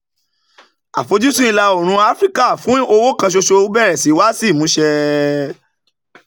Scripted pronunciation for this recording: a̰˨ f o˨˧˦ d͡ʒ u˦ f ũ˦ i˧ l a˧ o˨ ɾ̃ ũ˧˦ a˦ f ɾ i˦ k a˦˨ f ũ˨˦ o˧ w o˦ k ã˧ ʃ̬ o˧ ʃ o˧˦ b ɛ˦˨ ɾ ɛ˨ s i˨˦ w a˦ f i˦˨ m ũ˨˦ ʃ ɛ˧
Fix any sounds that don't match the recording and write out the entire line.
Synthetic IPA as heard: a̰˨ f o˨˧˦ d͡ʒ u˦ s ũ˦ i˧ l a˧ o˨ ɾ̃ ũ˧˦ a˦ f ɾ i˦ k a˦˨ f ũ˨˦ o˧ w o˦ k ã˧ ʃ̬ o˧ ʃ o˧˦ b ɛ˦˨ ɾ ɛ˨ s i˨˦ w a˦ s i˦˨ m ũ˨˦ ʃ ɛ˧